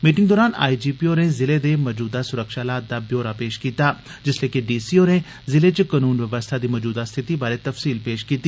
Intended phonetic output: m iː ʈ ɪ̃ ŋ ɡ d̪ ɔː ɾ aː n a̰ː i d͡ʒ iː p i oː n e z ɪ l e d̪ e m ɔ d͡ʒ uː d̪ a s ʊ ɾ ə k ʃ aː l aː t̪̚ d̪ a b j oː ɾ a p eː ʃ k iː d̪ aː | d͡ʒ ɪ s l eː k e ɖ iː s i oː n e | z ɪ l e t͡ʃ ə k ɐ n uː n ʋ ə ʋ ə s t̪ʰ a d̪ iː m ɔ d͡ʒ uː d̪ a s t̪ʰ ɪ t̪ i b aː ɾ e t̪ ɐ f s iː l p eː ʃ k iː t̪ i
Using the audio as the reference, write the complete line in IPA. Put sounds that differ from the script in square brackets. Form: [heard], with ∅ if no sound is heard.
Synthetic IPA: m iː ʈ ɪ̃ ŋ ɡ d̪ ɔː ɾ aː n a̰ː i d͡ʒ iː p i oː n e z ɪ l e d̪ e m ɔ d͡ʒ uː d̪ a s ʊ ɾ ə k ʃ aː l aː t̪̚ d̪ a b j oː ɾ a p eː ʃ k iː [t̪] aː | d͡ʒ ɪ s l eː k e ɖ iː s i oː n e | z ɪ l e t͡ʃ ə k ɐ n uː n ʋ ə ʋ ə s t̪ʰ a d̪ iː m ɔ d͡ʒ uː d̪ a s t̪ʰ ɪ t̪ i b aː ɾ e t̪ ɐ f s iː l p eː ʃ k iː t̪ i